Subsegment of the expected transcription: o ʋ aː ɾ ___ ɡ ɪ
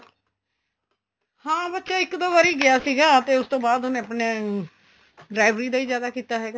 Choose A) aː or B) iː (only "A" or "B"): B